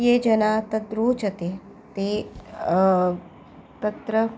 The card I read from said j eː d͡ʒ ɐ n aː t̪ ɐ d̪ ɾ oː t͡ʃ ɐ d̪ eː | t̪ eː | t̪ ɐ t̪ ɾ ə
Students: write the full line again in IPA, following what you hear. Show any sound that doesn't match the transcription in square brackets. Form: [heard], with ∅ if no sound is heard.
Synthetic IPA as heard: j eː d͡ʒ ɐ n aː t̪ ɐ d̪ ɾ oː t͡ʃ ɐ [t̪] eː | t̪ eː | t̪ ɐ t̪ ɾ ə